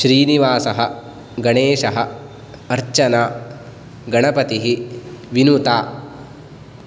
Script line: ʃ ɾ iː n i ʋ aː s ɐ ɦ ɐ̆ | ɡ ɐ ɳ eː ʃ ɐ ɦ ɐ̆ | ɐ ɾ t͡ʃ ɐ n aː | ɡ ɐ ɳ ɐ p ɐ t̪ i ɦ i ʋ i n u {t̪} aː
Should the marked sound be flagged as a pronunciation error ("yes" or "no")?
no